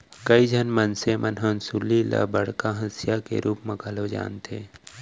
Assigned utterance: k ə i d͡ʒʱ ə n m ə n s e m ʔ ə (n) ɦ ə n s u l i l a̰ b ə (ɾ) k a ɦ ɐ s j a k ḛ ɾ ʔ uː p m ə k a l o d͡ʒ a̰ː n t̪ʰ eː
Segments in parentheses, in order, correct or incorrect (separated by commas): correct, incorrect